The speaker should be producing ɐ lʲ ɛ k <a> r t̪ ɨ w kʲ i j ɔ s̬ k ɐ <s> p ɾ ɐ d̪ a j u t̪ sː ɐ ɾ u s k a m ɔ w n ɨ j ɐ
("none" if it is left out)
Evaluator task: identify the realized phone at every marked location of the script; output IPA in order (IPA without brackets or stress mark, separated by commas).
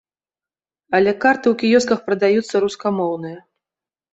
a, x